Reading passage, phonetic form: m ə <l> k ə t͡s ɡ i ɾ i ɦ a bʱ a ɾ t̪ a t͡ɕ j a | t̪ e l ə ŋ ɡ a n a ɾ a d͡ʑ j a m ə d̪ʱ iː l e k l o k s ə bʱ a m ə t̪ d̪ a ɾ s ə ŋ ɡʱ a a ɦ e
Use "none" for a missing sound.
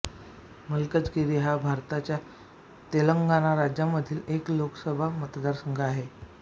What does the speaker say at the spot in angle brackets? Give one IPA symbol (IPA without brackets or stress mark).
l